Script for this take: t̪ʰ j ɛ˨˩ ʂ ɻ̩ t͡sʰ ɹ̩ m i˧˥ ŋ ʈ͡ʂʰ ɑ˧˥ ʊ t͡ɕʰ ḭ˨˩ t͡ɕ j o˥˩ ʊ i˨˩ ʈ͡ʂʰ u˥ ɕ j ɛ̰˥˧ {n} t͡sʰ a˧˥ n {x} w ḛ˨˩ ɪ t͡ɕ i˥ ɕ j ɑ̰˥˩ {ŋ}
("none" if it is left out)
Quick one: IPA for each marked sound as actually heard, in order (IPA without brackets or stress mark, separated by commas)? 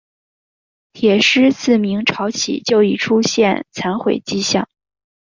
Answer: n, x, ŋ